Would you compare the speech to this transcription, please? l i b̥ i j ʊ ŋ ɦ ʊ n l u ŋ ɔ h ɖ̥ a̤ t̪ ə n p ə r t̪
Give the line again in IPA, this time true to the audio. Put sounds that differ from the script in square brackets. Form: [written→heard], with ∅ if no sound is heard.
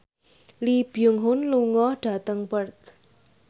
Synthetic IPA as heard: l i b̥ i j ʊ ŋ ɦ ʊ n l u ŋ ɔ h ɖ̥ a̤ t̪ ə [n→ŋ] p ə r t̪